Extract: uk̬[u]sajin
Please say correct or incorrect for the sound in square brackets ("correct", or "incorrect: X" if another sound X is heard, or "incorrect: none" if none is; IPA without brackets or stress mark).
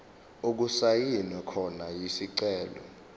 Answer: correct